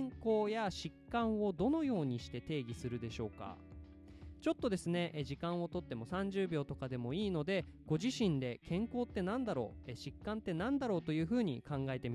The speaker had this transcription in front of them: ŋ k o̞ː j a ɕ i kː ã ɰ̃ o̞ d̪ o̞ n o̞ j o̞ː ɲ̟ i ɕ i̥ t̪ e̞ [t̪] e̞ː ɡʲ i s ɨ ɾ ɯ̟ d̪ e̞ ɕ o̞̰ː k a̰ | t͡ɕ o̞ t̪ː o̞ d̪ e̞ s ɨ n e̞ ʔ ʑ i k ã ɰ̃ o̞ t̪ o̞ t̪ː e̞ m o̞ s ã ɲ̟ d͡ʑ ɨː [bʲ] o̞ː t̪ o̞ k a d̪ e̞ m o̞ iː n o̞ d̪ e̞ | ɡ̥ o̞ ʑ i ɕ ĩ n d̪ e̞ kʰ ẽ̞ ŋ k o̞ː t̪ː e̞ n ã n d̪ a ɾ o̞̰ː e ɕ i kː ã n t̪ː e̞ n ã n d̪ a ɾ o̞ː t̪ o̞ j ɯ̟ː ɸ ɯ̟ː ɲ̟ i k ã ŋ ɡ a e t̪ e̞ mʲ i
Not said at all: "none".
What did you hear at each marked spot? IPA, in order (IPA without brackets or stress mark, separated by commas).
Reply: t̪, bʲ